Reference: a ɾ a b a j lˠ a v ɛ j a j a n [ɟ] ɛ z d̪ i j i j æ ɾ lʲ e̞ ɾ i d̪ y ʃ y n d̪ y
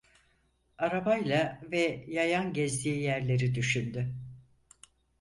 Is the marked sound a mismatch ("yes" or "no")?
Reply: no